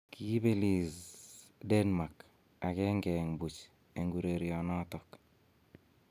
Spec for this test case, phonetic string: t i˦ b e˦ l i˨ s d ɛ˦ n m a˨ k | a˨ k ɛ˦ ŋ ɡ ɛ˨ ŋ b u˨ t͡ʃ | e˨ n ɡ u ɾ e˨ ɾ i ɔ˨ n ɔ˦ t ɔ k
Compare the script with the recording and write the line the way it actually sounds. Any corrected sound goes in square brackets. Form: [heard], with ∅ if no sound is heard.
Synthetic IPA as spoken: [k] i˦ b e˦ l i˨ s d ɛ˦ n m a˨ k | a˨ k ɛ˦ ŋ ɡ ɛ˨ ŋ b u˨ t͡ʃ | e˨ [ŋ] ɡ u ɾ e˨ ɾ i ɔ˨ n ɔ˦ t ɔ k